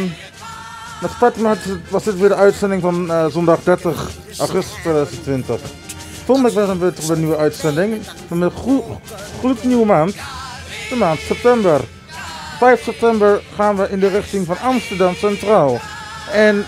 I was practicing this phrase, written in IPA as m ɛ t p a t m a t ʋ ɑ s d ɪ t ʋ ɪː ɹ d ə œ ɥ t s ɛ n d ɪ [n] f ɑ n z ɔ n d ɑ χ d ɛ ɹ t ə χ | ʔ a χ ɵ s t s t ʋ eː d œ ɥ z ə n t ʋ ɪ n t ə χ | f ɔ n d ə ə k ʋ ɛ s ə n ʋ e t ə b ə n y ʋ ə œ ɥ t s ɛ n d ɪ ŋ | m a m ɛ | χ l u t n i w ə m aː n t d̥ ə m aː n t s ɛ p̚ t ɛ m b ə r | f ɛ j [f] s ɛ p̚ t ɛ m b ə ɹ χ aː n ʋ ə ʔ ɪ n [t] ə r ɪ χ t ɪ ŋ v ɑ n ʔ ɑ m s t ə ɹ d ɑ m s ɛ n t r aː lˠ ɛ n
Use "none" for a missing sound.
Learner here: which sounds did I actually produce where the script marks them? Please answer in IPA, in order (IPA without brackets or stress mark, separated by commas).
ŋ, f, d